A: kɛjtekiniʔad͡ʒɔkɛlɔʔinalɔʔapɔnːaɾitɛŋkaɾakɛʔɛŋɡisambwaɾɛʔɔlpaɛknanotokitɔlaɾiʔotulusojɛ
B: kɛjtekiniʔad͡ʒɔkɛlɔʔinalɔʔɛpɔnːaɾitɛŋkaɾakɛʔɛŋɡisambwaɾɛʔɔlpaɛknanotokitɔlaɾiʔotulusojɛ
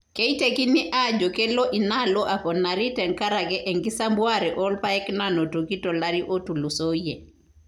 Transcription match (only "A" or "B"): A